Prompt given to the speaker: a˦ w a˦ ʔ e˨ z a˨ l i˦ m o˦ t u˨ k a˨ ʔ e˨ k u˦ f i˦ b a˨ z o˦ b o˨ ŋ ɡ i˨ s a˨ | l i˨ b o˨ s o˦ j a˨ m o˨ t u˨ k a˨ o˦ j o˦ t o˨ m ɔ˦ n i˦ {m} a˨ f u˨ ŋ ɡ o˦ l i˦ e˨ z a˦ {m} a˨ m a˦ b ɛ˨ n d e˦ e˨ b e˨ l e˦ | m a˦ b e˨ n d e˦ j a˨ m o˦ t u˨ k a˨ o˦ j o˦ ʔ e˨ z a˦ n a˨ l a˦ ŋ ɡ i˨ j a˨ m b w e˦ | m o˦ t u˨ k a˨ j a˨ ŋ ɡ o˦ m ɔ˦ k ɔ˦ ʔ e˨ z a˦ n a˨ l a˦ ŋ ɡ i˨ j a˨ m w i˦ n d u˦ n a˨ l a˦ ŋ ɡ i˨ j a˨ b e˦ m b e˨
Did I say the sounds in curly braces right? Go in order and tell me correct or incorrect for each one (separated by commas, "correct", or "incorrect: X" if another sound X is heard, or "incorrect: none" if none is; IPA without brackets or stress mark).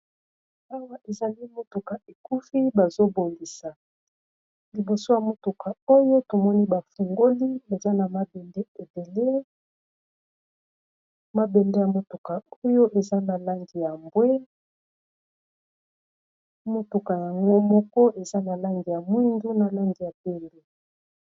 incorrect: b, incorrect: n